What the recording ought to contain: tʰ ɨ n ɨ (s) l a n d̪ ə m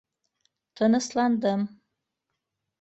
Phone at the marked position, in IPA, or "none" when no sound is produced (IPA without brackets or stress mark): s